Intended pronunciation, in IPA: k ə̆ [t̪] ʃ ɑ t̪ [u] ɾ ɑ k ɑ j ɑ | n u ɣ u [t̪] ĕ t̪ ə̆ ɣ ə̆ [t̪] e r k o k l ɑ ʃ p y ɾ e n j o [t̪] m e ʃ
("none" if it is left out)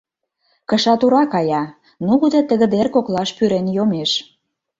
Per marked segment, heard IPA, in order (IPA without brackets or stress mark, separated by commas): none, u, d̪, d̪, none